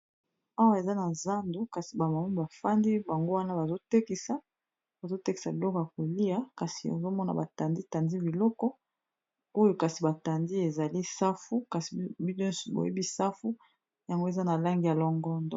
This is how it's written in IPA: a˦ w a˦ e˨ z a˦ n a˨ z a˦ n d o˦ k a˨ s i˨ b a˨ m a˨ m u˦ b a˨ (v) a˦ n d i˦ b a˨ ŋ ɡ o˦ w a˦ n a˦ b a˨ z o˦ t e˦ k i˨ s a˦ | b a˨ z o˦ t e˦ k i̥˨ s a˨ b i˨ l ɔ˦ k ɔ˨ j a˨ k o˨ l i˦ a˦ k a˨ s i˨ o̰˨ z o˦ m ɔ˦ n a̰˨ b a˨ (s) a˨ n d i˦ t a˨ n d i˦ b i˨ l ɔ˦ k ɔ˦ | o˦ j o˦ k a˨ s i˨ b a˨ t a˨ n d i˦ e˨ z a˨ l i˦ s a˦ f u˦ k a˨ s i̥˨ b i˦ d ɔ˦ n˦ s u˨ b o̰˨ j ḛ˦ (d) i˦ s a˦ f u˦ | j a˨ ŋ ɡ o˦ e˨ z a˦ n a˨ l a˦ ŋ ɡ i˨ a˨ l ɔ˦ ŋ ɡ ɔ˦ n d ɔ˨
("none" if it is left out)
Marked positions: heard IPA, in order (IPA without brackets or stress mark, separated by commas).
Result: f, t, b